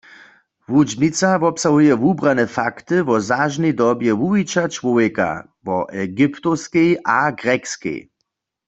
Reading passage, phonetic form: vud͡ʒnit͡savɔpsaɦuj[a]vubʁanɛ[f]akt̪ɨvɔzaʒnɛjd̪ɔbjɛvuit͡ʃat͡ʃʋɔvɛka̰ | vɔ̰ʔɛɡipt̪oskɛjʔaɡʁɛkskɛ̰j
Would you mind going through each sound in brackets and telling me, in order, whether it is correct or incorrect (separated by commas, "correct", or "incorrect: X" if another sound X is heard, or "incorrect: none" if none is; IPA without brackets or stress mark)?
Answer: incorrect: ɛ, correct